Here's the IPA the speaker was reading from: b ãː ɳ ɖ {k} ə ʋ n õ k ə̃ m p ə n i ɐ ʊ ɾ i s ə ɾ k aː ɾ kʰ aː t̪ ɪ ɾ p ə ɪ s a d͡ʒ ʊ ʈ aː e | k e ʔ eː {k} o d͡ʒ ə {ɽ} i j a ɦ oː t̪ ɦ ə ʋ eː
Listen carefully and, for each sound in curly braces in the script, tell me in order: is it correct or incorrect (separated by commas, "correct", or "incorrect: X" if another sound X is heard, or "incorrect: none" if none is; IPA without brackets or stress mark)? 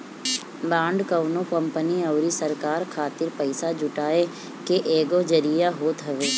correct, incorrect: ɡ, incorrect: ɾ